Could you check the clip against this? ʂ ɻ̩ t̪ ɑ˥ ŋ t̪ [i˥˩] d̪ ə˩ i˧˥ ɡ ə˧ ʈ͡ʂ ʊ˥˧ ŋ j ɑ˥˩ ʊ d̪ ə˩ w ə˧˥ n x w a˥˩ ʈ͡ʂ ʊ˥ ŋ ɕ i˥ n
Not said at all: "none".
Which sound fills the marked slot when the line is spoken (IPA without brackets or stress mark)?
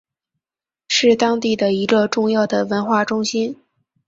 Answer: i˥˩